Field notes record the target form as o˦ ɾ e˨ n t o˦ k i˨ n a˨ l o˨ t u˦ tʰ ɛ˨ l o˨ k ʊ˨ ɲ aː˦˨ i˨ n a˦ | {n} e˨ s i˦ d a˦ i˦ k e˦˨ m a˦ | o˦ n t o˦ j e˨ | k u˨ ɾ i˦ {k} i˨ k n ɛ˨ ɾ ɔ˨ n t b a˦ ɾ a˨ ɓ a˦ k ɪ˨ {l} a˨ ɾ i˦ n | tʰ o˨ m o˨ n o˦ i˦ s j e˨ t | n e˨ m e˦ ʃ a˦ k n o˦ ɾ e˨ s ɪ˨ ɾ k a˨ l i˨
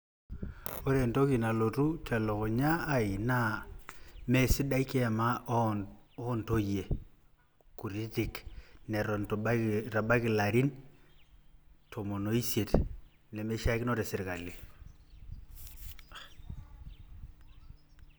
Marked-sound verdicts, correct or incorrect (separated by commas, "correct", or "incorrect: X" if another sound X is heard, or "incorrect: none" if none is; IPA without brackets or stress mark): incorrect: m, incorrect: t, correct